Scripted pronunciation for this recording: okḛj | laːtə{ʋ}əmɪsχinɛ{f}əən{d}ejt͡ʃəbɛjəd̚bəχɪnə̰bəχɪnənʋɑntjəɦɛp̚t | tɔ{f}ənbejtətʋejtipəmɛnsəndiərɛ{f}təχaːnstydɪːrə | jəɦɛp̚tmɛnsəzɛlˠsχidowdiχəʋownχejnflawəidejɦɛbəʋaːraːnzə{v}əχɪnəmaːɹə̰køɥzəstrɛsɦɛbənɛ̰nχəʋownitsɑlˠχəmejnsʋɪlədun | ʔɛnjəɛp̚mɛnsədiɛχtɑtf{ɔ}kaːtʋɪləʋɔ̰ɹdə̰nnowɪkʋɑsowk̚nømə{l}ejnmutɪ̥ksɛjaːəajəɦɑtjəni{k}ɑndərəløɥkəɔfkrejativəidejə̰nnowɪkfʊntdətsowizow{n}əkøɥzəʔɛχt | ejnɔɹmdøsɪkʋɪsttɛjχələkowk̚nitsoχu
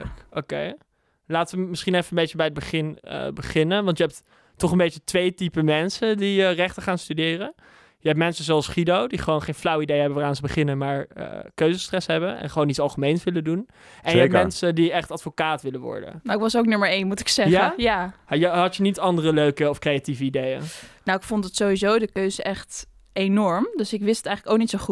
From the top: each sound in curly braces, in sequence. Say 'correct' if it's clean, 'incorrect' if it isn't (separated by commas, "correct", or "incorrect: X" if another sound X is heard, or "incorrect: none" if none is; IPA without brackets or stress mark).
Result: correct, correct, incorrect: b, incorrect: χ, incorrect: χ, incorrect: b, incorrect: o, incorrect: ɹ, incorrect: t, incorrect: d